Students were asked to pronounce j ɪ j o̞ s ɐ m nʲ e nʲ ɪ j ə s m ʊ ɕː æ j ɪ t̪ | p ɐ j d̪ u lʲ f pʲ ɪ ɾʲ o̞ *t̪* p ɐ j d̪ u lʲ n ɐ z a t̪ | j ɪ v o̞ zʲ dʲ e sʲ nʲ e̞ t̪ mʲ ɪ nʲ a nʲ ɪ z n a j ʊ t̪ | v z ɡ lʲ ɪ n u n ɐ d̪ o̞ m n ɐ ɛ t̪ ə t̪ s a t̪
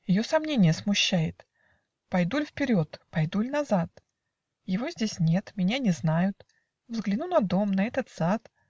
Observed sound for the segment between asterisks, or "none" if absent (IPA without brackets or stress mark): t̪